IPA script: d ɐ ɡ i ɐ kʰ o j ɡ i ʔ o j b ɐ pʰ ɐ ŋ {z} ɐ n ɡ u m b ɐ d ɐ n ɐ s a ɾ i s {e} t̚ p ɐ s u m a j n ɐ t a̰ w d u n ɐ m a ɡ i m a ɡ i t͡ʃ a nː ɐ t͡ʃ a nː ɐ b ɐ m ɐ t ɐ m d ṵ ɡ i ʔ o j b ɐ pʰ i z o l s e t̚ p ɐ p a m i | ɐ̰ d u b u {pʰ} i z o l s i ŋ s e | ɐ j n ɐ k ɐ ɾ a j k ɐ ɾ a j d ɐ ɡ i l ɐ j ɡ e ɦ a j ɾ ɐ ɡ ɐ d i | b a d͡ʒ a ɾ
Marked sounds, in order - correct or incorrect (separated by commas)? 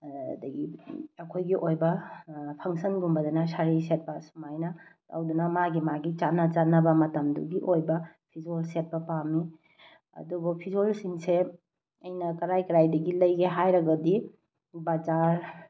incorrect, correct, correct